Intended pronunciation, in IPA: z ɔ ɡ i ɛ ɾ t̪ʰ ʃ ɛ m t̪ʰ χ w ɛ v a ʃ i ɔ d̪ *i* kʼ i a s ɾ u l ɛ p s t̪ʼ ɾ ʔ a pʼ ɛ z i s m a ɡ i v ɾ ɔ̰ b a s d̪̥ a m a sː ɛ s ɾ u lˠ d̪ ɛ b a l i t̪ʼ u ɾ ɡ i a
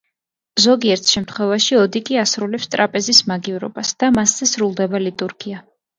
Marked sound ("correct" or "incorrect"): correct